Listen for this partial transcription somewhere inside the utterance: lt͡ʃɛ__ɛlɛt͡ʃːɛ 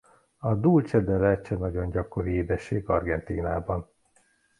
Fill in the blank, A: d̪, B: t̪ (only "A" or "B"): A